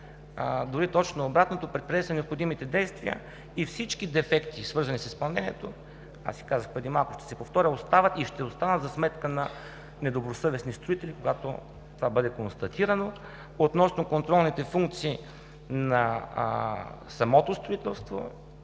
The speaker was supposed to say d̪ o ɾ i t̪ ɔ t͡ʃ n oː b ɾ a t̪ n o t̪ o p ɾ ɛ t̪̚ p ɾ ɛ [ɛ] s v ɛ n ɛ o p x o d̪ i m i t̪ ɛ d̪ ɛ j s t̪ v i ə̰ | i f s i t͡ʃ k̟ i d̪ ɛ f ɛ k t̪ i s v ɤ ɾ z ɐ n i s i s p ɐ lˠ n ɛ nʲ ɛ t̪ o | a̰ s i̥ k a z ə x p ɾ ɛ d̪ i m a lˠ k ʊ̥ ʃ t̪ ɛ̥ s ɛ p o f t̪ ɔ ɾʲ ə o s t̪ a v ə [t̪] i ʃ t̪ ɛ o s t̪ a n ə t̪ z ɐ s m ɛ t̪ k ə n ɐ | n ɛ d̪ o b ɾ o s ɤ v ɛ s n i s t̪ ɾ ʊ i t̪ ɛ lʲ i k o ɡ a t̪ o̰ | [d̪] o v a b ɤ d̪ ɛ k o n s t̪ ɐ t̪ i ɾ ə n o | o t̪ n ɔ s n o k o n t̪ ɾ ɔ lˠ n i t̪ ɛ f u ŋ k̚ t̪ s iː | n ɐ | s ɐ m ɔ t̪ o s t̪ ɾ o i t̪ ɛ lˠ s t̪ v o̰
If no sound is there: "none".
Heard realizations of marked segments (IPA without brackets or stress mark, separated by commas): ɛ, t̪, t̪